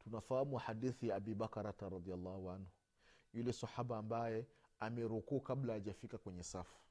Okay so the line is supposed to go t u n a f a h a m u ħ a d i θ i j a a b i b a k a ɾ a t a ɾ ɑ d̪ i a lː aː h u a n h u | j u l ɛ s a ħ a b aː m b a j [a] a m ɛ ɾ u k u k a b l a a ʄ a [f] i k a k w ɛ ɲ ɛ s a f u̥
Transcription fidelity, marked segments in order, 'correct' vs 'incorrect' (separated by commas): incorrect, correct